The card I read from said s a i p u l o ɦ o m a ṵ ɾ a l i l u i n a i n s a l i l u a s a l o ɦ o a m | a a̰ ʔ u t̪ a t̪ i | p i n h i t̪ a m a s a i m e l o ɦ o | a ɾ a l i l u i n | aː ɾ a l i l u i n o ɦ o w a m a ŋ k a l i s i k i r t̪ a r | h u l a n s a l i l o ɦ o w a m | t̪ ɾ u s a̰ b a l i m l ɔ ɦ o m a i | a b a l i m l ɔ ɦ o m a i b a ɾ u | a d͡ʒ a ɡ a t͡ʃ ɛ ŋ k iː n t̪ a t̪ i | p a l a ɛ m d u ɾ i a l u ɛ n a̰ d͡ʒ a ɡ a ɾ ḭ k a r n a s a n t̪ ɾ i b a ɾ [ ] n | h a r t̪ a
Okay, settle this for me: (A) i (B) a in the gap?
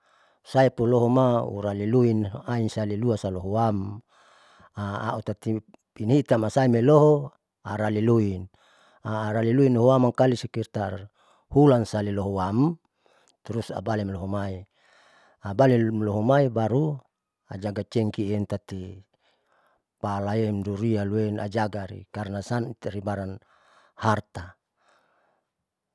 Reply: B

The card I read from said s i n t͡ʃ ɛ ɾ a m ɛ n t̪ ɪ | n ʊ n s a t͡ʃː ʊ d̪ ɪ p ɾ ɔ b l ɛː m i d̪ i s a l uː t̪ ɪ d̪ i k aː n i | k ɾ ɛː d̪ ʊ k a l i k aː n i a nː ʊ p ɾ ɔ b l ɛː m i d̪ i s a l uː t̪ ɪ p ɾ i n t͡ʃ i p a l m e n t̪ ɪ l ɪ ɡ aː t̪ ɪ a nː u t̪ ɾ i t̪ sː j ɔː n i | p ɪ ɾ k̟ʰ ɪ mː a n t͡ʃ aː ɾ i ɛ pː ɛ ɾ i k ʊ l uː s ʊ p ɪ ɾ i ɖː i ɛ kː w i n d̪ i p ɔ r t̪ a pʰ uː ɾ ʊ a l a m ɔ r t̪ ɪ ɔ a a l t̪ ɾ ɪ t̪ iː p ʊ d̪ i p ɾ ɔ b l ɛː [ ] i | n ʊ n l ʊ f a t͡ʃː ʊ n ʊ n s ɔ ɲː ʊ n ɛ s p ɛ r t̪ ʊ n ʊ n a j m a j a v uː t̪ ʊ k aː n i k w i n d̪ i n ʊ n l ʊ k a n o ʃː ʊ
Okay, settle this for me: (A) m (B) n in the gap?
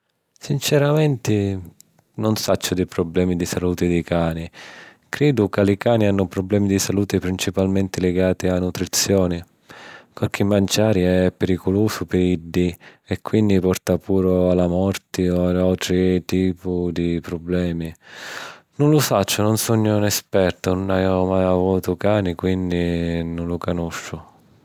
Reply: A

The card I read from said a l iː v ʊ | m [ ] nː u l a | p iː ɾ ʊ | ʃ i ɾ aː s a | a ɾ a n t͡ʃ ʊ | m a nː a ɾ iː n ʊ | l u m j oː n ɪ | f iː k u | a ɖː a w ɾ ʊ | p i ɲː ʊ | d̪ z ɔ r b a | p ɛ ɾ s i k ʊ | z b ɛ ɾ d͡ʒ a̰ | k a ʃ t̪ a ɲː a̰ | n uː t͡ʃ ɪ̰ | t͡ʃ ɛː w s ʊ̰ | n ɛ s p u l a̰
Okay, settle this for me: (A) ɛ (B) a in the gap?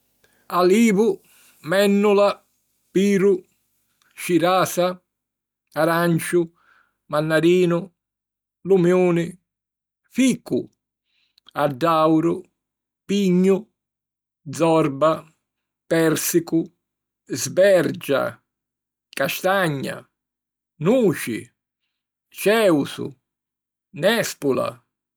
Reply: A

